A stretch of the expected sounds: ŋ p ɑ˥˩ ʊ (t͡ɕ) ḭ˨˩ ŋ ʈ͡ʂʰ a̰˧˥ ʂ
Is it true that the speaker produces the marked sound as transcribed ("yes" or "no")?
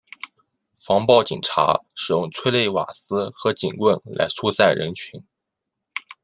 yes